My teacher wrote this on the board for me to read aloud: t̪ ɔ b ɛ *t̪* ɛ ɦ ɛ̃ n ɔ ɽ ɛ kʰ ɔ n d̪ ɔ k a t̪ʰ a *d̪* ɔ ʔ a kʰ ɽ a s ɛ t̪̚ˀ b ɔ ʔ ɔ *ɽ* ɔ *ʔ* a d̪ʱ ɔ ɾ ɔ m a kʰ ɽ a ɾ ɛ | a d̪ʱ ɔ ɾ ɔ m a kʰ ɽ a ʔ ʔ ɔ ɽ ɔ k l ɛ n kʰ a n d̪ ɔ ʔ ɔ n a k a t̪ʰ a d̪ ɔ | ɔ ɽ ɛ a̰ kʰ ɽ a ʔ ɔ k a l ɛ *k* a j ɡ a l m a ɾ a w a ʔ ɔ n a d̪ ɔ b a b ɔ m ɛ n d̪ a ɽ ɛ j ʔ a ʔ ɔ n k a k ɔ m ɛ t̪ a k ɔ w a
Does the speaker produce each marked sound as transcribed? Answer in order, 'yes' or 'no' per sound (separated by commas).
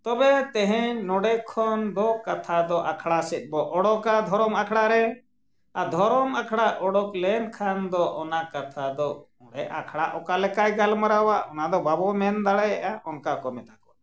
yes, yes, yes, no, yes